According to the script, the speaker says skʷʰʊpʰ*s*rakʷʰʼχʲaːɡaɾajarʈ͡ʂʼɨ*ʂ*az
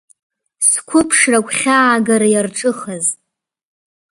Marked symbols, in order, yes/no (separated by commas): no, no